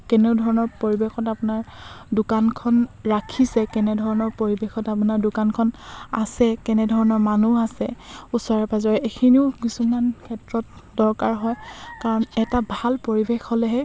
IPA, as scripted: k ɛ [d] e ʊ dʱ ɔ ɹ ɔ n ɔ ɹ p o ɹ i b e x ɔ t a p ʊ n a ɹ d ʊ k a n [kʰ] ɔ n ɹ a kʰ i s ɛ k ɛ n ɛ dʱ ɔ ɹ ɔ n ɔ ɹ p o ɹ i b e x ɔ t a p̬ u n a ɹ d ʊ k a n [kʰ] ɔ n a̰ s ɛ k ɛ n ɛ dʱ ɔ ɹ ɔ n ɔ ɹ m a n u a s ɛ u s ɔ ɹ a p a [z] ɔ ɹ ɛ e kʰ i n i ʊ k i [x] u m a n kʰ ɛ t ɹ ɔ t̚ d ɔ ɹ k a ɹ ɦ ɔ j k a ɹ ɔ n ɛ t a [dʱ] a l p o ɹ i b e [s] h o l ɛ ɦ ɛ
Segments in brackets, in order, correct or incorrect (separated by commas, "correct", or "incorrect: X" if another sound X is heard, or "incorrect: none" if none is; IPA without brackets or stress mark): incorrect: n, correct, correct, correct, incorrect: s, incorrect: bʱ, incorrect: x